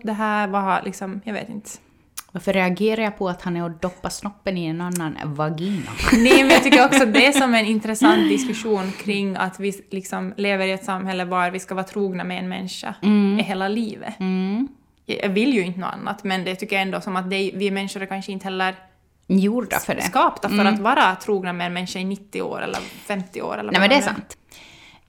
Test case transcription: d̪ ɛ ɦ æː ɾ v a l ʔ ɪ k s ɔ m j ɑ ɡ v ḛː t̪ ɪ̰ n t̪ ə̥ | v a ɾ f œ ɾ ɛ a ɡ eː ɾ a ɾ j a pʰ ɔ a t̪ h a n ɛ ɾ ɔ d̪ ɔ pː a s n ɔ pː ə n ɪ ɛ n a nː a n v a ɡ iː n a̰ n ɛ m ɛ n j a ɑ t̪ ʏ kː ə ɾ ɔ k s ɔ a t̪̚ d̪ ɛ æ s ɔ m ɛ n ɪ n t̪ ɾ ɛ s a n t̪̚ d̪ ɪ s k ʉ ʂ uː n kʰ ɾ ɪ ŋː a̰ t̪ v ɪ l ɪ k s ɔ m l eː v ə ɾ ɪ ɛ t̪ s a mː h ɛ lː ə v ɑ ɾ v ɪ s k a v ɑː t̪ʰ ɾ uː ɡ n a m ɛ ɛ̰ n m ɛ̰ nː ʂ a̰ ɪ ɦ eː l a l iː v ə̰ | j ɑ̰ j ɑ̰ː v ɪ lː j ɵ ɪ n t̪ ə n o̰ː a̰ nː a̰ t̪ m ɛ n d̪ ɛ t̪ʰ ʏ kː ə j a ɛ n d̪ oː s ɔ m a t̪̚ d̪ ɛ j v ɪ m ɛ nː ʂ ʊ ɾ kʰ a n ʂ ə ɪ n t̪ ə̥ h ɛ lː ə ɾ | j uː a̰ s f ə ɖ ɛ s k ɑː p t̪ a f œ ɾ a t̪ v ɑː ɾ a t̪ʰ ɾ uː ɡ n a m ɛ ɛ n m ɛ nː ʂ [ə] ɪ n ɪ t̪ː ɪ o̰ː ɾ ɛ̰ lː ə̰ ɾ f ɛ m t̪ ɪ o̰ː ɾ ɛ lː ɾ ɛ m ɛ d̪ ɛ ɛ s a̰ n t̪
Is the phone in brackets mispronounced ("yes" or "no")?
yes